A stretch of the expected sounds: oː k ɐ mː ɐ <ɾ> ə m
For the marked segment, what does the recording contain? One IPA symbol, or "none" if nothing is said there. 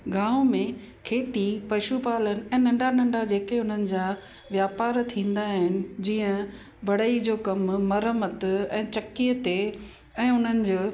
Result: ɾ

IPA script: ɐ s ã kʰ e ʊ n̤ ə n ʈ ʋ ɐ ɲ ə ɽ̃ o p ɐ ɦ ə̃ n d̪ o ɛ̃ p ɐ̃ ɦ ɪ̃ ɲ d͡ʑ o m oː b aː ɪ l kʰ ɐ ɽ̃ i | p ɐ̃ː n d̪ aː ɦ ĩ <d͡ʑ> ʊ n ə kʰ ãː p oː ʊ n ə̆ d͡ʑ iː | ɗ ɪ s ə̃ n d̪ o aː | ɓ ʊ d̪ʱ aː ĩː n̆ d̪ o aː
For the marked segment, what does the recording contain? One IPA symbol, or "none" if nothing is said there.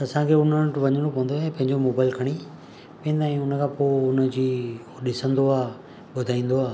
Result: none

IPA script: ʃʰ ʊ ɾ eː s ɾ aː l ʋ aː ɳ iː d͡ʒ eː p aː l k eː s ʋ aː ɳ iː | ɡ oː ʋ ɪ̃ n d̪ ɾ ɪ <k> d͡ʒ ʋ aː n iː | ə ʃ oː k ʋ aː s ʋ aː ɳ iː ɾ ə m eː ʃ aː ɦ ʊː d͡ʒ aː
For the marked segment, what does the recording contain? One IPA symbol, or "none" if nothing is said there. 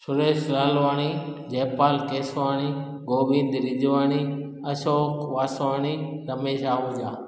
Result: none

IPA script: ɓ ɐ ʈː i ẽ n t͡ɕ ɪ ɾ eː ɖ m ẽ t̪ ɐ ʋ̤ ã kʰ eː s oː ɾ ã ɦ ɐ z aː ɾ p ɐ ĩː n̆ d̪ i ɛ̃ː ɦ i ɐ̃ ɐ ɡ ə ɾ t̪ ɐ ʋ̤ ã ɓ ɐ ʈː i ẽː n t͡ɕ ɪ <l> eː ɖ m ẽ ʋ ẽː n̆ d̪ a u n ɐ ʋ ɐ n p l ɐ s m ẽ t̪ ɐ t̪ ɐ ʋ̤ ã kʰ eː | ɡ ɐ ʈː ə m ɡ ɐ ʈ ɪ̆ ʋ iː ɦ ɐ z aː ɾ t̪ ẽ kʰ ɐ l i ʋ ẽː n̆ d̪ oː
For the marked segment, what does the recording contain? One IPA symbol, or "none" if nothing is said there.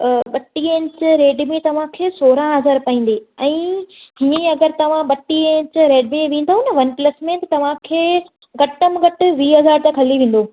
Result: ɾ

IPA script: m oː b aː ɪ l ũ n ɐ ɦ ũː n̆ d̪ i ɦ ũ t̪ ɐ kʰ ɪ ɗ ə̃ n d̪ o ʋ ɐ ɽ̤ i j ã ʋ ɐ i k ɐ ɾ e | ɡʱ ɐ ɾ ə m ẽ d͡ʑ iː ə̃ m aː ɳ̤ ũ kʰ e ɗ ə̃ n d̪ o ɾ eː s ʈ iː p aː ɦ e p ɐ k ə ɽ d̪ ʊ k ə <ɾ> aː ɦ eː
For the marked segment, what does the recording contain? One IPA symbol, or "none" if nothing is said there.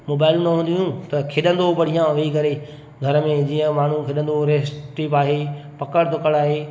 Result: ɽ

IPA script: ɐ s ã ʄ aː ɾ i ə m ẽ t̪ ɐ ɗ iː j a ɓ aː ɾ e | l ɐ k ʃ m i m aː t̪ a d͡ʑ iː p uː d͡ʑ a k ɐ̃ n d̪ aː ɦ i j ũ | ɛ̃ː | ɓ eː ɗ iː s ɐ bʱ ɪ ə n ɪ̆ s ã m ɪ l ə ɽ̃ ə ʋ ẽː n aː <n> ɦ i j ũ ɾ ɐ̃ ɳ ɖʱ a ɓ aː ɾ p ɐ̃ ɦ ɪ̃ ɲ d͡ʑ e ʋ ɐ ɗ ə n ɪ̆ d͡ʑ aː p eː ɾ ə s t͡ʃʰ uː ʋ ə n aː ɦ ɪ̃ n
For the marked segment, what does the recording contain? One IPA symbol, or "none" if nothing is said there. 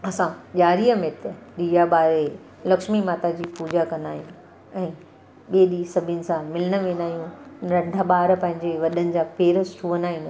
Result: none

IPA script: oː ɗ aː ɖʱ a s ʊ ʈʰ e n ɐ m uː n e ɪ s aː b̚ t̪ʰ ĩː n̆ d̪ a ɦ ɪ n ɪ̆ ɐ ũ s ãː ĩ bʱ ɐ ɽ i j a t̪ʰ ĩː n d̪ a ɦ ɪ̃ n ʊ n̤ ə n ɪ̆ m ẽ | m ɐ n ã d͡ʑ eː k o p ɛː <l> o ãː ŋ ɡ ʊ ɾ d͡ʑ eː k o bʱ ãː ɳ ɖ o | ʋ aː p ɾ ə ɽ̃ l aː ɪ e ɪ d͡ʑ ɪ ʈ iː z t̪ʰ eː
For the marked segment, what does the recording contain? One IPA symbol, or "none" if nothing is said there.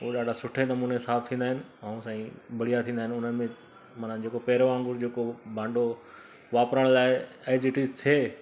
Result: ɾ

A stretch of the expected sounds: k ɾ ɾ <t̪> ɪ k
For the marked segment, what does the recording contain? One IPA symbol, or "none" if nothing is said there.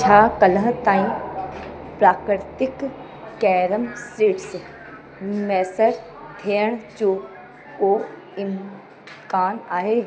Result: t̪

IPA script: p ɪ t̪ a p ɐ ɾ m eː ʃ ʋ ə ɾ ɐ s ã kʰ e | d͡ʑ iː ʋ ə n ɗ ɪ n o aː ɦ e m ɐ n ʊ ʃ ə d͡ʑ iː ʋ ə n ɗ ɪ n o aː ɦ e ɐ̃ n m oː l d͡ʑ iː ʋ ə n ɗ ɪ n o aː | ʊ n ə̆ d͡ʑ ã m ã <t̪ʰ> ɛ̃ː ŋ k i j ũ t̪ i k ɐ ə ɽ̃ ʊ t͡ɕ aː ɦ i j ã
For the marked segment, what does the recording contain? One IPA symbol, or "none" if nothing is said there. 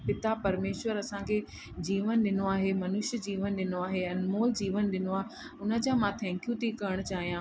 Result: t̪ʰ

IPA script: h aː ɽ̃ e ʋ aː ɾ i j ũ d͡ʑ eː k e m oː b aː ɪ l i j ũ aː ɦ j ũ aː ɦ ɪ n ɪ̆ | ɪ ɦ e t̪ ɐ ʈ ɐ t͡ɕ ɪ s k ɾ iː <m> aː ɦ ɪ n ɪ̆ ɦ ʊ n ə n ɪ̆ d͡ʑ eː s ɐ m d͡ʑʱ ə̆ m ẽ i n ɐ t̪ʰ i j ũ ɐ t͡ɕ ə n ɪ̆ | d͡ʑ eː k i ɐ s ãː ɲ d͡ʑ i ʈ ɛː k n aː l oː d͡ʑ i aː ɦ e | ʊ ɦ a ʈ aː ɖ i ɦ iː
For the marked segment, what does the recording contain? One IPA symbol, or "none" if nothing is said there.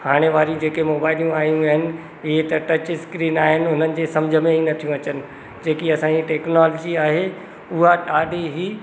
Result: n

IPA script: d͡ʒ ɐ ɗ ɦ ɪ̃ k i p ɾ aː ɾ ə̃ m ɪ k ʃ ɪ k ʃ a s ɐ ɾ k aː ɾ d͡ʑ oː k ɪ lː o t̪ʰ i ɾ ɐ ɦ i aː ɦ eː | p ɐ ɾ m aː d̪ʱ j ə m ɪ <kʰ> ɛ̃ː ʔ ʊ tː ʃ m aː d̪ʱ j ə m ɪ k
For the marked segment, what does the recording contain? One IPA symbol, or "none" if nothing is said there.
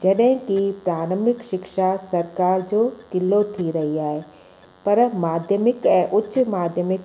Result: k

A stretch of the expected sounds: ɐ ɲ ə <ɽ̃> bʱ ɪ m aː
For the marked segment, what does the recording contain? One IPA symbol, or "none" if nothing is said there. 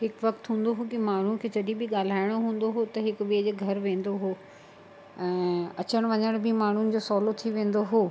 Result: ɽ̃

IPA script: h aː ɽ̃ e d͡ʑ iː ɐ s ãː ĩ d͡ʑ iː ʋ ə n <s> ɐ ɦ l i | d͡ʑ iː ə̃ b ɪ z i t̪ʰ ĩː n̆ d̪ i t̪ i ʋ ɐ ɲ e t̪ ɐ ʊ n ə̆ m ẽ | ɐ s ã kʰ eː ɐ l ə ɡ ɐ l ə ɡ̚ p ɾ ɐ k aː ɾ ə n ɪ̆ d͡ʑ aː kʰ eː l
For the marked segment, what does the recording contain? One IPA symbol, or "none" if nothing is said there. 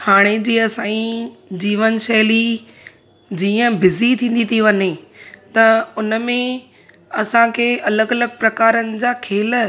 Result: ʃ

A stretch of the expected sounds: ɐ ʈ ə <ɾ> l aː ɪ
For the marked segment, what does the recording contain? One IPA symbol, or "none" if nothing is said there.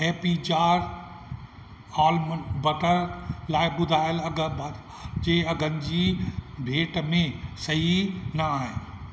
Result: ɾ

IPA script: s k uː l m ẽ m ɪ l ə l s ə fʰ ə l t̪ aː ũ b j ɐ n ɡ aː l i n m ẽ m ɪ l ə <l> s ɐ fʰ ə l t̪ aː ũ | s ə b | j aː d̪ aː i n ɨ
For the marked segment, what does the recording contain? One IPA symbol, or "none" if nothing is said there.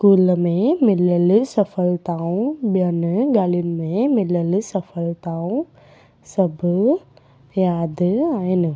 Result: l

